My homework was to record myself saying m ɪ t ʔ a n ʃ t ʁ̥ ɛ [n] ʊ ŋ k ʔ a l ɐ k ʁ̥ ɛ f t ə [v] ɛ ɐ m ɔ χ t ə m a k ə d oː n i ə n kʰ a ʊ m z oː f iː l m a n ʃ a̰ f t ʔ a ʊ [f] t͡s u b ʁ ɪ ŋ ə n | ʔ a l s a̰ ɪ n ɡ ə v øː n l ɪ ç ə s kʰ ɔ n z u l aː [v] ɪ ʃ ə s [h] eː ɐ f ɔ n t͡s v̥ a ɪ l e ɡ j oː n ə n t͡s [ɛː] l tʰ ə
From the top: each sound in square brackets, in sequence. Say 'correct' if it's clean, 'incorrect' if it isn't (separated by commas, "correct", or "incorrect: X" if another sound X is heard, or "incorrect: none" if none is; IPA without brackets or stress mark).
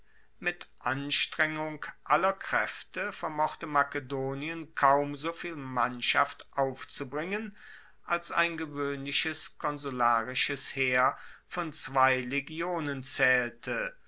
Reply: incorrect: ŋ, incorrect: f, correct, incorrect: ʁ, correct, correct